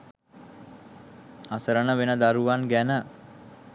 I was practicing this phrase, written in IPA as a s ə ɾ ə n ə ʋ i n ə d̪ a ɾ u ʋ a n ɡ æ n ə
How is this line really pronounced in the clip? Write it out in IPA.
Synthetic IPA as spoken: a s ə ɾ ə n ə ʋ e n ə d̪ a ɾ u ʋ a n ɡ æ n ə